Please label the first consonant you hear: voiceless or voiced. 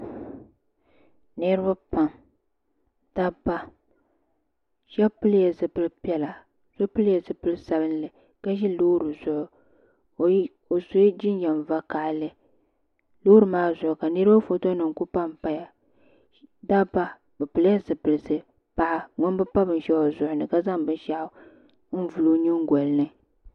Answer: voiced